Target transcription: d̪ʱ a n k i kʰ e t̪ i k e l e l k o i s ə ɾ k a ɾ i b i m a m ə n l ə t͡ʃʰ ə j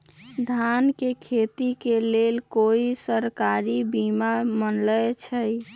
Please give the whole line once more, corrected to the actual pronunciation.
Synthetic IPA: d̪ʱ a n k e kʰ e t̪ i k e l e l k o i s ə ɾ k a ɾ i b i m a m ə n l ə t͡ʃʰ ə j